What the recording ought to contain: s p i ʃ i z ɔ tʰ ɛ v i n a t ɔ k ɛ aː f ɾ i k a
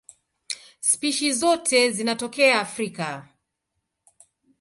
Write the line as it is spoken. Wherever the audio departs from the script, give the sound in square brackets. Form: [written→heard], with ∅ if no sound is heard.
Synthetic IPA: s p i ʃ i z ɔ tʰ ɛ [v→z] i n a t ɔ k ɛ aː f ɾ i k a